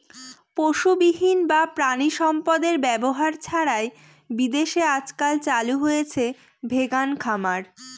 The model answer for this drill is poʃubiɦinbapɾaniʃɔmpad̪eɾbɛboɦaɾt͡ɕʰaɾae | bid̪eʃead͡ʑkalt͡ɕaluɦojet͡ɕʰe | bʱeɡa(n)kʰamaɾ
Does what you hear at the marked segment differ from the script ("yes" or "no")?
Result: no